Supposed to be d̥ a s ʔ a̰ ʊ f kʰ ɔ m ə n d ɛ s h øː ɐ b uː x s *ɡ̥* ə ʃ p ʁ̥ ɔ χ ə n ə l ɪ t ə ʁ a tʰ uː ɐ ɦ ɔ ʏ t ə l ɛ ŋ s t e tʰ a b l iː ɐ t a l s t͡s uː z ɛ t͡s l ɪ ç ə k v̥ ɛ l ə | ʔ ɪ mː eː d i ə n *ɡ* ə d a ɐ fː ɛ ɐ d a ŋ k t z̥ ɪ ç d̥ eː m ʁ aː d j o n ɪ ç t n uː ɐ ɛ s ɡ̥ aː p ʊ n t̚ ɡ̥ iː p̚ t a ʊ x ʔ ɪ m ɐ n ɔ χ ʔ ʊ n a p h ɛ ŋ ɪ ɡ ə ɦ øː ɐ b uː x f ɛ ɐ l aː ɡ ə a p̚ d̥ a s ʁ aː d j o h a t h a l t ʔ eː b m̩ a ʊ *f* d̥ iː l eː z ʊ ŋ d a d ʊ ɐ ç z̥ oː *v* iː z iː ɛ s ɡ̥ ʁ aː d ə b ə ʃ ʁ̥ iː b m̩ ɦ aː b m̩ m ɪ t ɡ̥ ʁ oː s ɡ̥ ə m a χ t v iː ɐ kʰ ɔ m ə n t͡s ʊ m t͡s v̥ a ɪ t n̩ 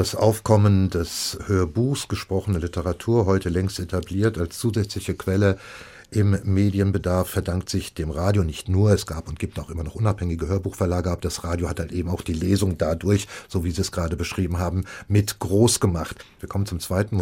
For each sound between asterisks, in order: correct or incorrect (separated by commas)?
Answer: correct, incorrect, incorrect, correct